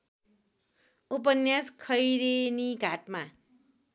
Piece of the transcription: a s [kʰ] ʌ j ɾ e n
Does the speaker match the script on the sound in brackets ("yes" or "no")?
yes